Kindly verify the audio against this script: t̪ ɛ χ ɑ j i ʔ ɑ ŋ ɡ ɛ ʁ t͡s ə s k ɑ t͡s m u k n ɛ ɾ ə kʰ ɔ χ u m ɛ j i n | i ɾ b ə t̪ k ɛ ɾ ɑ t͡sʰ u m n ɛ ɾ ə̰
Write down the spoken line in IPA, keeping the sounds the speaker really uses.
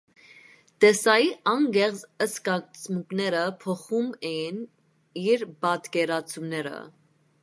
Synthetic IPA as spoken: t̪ ɛ s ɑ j i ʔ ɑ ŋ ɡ ɛ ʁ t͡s ə s k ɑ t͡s m u k n ɛ ɾ ə pʰ ɔ χ u m ɛ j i n | i ɾ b ɑ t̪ k ɛ ɾ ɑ t͡sʰ u m n ɛ ɾ ə̰